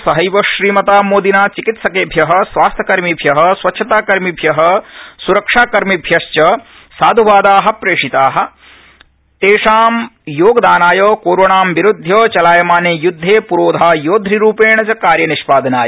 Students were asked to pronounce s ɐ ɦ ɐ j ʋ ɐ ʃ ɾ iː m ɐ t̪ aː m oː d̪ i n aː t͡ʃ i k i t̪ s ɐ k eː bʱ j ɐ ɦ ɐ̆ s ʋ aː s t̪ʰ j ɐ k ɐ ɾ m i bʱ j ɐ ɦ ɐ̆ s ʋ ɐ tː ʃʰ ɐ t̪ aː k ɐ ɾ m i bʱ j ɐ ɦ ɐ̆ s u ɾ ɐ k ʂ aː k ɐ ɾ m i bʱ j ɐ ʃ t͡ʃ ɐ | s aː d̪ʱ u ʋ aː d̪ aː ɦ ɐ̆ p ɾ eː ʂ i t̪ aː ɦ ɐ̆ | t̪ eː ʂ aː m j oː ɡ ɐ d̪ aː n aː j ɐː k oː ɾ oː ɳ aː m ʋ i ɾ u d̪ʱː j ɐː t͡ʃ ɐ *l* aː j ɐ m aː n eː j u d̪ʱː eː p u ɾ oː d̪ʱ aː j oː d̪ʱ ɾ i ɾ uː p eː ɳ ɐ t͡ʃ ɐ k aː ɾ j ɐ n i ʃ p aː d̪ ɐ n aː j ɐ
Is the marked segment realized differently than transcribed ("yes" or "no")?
no